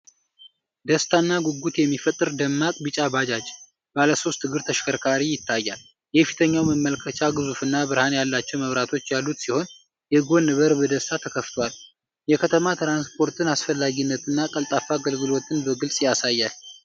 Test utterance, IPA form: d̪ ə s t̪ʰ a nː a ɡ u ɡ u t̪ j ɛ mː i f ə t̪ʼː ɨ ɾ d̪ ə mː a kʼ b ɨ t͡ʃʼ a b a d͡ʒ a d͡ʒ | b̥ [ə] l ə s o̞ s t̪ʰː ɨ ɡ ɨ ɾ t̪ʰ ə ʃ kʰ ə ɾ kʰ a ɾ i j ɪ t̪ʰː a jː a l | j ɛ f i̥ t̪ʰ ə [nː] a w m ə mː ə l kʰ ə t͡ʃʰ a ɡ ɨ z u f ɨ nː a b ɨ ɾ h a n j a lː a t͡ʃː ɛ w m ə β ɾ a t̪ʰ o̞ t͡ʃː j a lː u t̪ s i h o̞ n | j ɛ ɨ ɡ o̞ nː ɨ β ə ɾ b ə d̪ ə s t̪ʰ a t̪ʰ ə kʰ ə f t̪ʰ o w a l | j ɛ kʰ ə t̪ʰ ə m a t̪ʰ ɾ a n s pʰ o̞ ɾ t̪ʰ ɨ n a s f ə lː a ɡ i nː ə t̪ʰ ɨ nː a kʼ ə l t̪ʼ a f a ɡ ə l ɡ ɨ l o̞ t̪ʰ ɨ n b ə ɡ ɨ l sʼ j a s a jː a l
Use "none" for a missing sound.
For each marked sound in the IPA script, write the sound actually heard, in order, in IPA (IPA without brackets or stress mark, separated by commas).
a, ɲː